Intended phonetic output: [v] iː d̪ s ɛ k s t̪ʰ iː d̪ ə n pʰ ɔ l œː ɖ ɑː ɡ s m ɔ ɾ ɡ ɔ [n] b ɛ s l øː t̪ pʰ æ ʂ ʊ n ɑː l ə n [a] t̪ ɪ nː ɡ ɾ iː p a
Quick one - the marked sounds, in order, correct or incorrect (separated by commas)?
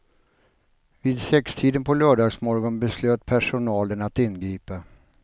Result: correct, correct, correct